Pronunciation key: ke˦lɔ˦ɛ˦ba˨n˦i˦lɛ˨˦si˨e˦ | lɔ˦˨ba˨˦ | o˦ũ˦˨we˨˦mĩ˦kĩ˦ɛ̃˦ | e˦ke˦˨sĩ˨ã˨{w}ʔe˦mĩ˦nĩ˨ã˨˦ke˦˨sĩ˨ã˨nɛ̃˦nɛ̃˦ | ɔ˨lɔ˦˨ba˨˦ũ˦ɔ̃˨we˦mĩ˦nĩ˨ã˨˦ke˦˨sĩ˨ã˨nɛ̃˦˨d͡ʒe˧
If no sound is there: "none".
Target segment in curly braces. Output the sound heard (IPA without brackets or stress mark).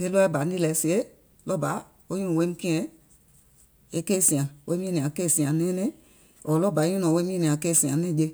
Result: w